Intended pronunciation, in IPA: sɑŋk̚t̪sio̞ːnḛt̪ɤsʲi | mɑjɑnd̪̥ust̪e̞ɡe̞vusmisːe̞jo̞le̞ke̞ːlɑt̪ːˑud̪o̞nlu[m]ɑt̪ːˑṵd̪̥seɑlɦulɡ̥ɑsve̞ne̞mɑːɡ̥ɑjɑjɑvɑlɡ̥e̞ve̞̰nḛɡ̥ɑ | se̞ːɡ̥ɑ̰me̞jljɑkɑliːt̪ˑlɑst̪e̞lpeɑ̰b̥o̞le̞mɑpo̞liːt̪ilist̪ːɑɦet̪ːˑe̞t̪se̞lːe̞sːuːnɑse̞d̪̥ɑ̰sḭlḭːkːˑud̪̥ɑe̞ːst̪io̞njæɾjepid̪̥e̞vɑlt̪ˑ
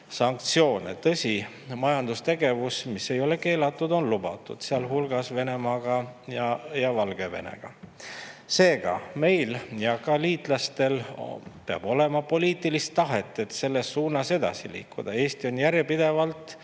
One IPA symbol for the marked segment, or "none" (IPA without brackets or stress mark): b